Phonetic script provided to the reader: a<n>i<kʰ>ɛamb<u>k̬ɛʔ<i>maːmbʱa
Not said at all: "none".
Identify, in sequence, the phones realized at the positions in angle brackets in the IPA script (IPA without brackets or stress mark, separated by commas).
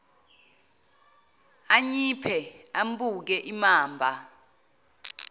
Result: ɲ, pʰ, u, i